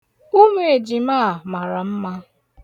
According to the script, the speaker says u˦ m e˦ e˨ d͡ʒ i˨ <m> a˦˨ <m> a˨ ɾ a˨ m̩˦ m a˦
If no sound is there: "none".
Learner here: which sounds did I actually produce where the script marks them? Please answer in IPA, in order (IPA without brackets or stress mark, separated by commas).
m, m